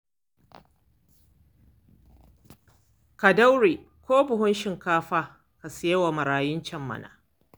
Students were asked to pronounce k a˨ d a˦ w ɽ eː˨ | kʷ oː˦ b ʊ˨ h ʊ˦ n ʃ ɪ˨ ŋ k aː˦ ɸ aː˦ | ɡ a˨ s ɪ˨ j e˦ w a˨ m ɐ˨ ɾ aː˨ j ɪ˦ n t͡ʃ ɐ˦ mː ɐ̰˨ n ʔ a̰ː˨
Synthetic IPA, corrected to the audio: k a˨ d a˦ w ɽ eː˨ | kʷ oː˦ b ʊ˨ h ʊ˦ n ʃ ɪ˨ ŋ k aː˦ ɸ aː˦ | k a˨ s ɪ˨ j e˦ w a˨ m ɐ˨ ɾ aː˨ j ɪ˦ n t͡ʃ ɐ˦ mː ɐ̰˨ n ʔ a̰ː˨